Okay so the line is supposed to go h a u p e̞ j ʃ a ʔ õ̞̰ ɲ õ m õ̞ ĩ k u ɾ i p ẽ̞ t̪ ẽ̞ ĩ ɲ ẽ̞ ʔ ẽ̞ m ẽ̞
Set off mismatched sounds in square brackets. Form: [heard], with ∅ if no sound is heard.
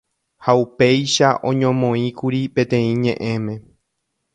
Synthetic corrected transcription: h a u p e̞ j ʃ a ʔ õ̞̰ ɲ õ m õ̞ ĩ k u ɾ i p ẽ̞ t̪ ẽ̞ ĩ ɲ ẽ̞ ʔ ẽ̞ m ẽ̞